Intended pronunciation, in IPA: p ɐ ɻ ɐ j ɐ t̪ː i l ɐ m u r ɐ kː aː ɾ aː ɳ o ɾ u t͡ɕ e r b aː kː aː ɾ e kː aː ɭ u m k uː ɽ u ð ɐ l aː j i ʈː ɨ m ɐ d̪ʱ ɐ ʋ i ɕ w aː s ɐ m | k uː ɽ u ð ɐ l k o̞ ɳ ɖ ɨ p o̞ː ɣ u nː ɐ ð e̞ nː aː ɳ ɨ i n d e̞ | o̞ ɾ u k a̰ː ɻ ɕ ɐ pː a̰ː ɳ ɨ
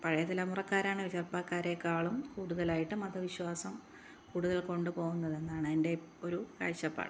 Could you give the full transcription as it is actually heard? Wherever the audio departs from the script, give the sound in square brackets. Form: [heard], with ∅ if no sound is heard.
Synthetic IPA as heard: p ɐ ɻ ɐ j ɐ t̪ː i l ɐ m u r ɐ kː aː ɾ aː ɳ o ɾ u t͡ɕ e r [p] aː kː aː ɾ e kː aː ɭ u m k uː ɽ u ð ɐ l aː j i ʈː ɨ m ɐ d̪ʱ ɐ ʋ i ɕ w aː s ɐ m | k uː ɽ u ð ɐ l k o̞ ɳ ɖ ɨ p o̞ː ɣ u nː ɐ ð e̞ nː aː ɳ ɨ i n d e̞ | o̞ ɾ u k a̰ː ɻ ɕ ɐ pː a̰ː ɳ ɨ